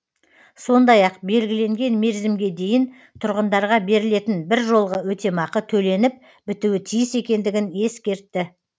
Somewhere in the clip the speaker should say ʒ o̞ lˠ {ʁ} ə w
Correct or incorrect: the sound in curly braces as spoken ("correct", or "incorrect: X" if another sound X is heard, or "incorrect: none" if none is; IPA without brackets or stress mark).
correct